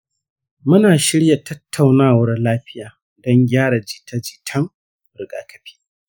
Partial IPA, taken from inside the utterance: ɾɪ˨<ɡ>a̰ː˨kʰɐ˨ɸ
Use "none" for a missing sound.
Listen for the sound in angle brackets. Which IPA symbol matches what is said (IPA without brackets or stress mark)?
ɡ